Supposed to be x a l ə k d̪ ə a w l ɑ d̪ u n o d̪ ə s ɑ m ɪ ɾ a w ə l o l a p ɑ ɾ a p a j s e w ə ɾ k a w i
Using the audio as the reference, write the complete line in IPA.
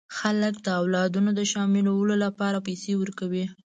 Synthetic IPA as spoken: x a l ə k d̪ ə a w l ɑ d̪ u n o d̪ ə ʃ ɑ m ɪ l a w ə l o l a p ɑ ɾ a p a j s e w ə ɾ k a w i